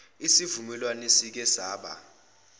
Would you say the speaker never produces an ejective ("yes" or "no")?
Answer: yes